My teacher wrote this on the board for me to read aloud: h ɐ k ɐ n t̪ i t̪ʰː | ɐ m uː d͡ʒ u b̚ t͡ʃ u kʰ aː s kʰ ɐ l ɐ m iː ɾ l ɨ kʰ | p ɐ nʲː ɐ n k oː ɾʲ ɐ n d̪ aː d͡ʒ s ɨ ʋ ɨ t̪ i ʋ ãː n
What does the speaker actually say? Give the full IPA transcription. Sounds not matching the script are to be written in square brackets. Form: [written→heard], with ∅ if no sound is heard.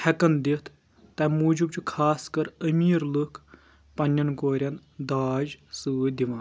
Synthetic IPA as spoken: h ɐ k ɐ n [t̪→d̪] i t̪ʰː | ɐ m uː d͡ʒ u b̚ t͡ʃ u kʰ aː s [kʰ→k] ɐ [l→ɾ] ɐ m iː ɾ l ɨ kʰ | p ɐ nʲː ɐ n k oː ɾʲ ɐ n d̪ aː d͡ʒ s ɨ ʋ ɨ [t̪→d̪] i ʋ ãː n